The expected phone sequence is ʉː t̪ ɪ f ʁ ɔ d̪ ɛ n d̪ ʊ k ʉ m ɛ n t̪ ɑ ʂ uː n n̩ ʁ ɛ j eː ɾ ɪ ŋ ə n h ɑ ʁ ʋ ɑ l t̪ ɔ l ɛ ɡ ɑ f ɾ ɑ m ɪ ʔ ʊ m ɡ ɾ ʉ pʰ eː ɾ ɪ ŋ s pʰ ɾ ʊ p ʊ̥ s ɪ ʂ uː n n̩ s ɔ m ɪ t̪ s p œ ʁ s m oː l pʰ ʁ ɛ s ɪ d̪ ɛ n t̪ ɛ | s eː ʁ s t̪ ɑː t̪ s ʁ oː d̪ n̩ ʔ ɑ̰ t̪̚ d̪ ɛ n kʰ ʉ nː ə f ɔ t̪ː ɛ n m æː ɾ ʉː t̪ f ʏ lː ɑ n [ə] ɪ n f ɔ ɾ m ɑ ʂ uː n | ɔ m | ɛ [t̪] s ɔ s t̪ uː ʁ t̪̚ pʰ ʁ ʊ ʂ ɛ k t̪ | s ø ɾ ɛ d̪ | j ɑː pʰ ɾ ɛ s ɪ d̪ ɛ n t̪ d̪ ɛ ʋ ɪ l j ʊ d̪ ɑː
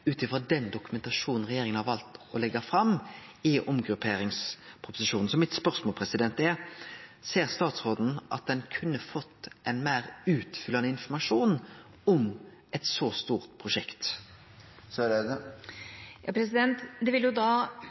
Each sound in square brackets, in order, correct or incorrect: correct, correct

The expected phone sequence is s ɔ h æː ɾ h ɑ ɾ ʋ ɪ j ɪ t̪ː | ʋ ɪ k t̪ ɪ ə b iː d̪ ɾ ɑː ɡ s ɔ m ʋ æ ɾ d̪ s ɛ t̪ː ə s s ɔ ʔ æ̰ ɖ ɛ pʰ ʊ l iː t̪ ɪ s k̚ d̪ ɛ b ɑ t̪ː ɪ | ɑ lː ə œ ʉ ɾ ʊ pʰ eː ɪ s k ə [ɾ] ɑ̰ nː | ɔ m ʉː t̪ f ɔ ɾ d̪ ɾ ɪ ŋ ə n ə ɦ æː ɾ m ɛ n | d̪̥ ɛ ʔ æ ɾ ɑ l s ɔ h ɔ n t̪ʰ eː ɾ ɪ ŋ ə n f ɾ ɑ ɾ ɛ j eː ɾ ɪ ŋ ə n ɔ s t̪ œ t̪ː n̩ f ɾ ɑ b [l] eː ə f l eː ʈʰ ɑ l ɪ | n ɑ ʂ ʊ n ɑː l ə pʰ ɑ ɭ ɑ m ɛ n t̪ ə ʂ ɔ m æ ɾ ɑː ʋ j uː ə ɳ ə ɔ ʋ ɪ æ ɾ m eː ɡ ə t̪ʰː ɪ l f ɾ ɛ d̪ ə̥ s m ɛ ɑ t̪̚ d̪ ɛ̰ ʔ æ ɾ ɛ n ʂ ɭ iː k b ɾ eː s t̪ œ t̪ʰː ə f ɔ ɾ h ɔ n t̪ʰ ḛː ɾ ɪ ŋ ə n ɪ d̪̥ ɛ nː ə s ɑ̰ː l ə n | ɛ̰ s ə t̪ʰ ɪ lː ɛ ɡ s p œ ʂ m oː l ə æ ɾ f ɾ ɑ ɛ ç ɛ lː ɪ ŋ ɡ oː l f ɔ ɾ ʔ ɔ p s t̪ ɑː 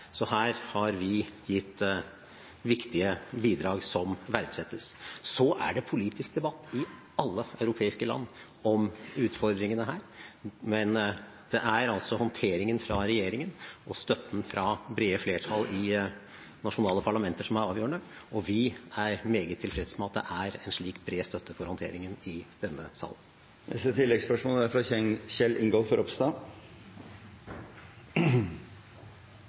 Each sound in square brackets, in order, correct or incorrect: incorrect, incorrect

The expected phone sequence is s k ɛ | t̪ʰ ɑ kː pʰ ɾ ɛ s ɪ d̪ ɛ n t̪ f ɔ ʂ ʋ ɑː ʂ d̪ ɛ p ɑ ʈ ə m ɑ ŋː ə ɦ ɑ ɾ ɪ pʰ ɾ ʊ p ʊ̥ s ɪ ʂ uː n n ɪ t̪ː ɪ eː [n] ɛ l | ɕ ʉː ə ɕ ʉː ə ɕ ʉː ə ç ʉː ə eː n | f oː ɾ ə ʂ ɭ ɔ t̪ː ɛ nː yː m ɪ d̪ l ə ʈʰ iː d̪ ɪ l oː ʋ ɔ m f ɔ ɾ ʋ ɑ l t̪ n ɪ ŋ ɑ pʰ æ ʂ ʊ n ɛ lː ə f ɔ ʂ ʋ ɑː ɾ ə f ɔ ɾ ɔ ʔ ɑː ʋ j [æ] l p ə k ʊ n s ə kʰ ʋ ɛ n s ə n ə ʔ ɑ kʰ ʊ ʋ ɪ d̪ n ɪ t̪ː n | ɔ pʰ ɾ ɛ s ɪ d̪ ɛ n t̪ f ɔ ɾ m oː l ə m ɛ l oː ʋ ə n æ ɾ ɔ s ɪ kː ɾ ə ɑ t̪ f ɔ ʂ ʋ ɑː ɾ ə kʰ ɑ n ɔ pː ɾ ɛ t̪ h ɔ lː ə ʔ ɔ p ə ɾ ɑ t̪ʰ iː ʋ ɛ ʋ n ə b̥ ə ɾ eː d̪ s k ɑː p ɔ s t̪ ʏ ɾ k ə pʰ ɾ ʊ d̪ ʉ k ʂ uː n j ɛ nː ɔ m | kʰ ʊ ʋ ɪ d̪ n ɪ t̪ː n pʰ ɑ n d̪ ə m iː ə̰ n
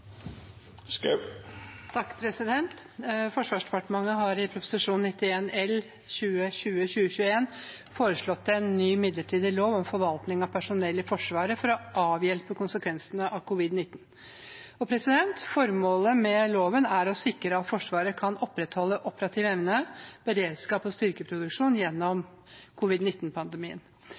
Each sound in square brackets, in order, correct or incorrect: correct, incorrect

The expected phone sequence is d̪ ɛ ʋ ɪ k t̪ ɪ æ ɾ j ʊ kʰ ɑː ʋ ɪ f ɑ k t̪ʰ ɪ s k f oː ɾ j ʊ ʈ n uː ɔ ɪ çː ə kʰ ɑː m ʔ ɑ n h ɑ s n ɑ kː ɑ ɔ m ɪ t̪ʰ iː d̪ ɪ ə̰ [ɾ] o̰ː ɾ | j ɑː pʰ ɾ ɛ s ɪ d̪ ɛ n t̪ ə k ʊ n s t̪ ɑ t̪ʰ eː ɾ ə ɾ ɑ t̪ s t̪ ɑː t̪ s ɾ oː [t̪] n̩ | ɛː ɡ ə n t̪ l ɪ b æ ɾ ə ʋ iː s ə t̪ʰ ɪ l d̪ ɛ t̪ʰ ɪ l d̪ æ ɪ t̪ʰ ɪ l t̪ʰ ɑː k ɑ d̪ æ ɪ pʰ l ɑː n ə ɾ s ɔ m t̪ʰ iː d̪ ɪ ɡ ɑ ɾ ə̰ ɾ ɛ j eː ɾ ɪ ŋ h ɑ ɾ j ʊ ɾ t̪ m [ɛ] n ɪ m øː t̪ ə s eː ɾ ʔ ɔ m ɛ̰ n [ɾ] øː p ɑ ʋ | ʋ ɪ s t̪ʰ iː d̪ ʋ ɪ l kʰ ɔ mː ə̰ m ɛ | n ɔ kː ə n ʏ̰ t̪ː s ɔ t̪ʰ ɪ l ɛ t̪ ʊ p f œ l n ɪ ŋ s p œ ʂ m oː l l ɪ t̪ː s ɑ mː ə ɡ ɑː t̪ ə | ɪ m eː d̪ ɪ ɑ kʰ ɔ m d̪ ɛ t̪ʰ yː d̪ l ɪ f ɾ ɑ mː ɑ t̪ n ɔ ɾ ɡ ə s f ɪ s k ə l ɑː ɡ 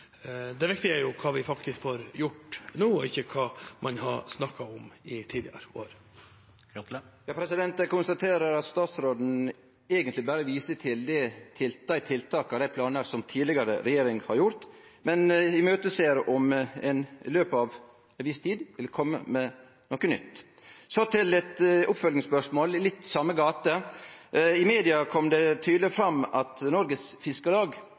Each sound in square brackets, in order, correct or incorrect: correct, incorrect, correct, incorrect

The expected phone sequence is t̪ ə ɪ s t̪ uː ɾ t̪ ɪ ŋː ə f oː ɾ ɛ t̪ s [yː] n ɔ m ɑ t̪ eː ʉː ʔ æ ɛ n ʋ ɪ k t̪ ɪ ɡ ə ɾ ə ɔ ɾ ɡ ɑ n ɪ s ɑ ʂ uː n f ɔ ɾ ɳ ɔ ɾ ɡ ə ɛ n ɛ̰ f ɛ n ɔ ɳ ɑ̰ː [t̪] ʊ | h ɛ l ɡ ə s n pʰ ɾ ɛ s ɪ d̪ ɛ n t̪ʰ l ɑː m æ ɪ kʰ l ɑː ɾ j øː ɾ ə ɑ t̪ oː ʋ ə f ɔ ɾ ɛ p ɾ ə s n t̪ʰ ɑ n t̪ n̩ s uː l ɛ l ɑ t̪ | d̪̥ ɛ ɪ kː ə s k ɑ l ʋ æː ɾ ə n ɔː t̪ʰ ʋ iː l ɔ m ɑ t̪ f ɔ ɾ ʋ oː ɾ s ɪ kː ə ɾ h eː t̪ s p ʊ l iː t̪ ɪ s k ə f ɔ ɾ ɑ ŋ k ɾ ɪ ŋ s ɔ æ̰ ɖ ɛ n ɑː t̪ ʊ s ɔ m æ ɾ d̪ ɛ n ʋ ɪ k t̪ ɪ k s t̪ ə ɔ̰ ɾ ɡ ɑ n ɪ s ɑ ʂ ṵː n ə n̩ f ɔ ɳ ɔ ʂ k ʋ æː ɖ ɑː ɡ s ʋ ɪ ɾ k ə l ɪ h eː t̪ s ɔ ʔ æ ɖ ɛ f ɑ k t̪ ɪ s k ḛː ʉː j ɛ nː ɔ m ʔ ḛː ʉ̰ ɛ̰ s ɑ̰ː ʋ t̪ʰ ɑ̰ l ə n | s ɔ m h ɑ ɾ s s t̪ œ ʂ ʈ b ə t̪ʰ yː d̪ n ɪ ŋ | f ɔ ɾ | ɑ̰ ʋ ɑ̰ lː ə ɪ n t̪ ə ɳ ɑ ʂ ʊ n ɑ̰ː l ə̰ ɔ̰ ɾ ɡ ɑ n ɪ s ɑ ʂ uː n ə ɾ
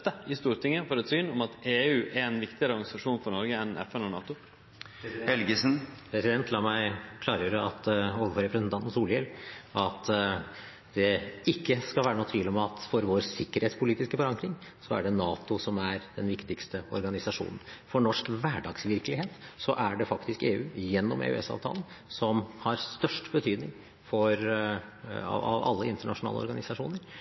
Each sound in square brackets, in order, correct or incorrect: correct, correct

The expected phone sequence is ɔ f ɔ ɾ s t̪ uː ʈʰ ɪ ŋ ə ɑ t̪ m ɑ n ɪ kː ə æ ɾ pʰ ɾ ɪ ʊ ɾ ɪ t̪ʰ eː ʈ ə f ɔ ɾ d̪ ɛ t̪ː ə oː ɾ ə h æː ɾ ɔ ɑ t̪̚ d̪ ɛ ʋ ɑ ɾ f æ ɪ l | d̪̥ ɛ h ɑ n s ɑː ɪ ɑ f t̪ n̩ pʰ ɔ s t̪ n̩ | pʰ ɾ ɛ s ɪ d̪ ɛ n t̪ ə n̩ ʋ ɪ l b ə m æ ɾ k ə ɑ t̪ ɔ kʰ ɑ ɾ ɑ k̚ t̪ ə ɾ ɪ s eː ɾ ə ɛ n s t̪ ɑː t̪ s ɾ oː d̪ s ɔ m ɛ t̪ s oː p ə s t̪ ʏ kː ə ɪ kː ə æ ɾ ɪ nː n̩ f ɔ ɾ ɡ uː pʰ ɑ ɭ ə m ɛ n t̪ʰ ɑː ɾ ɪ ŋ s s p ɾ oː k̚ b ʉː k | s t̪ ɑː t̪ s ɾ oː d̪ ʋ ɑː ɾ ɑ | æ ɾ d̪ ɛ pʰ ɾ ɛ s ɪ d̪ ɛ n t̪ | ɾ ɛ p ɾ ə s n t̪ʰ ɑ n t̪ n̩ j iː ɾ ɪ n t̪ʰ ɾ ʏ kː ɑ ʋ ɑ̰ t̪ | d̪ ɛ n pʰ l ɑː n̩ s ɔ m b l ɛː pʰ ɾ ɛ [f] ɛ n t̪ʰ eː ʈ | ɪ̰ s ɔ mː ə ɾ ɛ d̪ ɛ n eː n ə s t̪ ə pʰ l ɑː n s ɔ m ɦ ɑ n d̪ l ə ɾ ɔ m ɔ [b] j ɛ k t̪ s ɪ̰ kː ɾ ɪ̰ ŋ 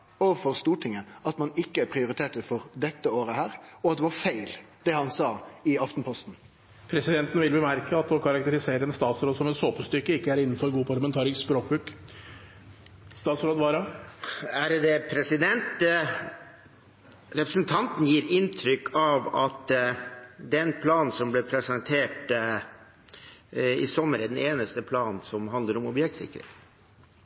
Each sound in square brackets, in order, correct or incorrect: incorrect, correct

